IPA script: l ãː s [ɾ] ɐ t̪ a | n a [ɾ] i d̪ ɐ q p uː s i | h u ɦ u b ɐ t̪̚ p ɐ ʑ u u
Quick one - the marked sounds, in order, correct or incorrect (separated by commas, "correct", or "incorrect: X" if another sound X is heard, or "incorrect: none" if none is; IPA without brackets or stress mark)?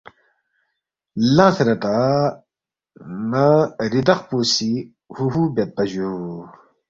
correct, correct